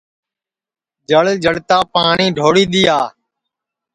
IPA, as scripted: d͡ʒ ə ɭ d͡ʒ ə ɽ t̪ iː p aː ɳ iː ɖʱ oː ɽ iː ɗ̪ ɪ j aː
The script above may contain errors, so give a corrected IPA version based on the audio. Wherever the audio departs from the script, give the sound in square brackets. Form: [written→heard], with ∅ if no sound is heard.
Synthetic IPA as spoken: d͡ʒ ə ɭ d͡ʒ ə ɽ t̪ [iː→aː] p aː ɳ iː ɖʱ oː ɽ iː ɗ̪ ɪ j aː